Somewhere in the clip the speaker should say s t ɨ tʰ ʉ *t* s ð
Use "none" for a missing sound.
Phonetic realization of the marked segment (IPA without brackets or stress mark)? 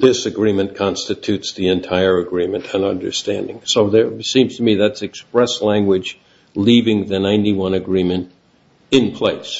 t